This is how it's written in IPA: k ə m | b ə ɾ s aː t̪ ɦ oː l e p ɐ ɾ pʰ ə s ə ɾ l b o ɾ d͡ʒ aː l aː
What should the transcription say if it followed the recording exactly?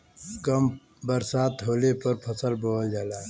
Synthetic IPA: k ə m | b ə ɾ s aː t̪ ɦ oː l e p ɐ ɾ pʰ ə s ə l b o l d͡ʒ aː l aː